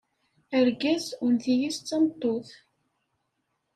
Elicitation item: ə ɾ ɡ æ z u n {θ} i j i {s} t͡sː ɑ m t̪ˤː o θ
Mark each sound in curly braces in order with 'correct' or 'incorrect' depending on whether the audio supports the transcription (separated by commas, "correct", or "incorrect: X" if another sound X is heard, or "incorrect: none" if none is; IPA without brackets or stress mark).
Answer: correct, correct